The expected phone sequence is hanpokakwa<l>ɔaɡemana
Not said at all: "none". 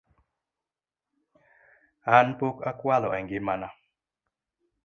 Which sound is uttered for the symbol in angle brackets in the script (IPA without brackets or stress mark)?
l